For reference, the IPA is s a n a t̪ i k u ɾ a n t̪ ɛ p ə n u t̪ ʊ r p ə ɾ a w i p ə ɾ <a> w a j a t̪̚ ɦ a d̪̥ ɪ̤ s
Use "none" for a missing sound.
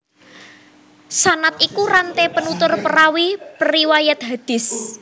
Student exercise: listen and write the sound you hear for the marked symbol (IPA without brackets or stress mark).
i